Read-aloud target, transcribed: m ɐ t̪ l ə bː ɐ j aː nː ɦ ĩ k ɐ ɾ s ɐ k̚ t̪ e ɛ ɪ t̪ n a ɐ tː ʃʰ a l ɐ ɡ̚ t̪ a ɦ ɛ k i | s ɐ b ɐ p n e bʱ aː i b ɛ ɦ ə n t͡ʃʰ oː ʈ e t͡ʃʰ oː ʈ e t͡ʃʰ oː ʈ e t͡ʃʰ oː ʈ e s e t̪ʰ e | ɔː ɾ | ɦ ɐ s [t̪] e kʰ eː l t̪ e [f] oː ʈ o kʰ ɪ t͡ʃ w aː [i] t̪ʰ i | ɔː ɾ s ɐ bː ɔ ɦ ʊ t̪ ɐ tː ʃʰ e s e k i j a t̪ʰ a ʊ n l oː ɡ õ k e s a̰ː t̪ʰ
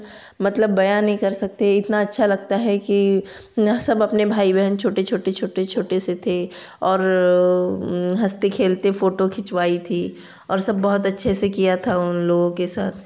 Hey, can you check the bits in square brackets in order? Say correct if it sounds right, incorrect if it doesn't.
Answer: correct, correct, correct

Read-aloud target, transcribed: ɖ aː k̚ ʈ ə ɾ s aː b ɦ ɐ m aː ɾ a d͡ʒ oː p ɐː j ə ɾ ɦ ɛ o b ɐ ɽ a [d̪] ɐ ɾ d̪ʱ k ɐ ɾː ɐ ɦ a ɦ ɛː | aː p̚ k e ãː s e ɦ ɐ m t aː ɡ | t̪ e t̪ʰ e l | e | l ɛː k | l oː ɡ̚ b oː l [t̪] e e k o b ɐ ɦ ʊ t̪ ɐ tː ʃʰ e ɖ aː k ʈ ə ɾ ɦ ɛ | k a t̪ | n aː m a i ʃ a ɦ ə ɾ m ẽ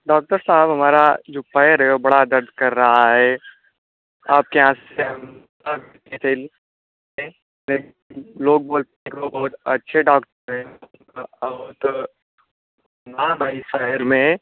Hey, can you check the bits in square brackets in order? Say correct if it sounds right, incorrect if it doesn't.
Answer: correct, correct

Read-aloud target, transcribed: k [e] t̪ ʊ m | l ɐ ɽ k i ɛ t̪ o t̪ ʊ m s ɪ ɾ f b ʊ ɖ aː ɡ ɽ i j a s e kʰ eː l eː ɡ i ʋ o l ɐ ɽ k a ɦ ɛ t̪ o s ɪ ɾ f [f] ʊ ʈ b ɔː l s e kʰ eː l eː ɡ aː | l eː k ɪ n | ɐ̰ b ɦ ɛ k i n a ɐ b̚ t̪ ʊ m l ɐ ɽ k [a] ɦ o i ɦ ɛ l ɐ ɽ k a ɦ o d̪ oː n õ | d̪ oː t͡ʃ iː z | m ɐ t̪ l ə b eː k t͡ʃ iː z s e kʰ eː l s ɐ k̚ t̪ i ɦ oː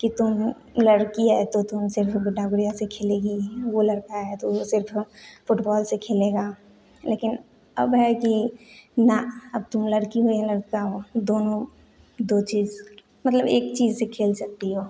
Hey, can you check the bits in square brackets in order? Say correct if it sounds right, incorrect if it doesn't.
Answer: incorrect: i, correct, incorrect: i

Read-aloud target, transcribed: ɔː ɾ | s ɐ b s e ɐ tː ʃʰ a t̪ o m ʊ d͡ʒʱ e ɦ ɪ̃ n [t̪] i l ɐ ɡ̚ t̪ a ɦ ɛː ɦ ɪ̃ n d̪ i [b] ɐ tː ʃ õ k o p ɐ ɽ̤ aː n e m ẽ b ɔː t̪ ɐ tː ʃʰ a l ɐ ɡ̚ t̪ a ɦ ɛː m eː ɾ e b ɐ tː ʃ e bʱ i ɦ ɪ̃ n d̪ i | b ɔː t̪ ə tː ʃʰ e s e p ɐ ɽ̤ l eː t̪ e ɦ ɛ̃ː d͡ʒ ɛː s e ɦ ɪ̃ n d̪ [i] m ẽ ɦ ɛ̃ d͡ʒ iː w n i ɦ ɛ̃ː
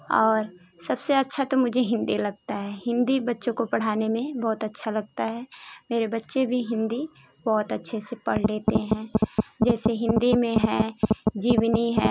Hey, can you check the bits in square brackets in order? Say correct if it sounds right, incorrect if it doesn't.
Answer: incorrect: d̪, correct, correct

